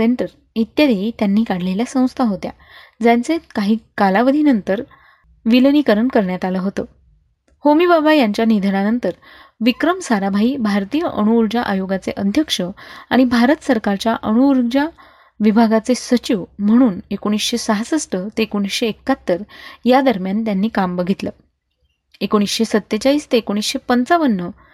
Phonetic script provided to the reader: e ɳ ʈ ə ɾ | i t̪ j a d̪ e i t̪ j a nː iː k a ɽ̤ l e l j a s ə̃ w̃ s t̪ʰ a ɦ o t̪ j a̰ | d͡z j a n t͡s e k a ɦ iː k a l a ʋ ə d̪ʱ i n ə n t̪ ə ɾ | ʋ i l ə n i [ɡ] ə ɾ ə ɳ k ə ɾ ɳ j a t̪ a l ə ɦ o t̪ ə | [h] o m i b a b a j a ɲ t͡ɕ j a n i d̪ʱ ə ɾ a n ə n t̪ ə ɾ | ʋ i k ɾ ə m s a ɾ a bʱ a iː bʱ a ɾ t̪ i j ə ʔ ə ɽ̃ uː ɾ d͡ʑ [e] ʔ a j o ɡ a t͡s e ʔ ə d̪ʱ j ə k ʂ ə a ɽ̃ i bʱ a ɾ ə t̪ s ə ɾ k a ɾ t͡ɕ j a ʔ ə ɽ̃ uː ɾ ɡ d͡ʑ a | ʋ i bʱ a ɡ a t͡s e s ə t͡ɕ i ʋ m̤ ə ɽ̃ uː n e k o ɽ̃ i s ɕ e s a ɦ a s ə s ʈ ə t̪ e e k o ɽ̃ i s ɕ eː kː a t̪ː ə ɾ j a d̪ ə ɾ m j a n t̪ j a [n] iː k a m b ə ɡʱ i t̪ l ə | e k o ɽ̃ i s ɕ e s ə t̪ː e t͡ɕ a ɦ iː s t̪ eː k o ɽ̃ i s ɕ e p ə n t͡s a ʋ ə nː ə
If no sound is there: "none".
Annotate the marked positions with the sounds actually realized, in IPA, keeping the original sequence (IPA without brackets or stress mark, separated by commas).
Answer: k, h, a, nː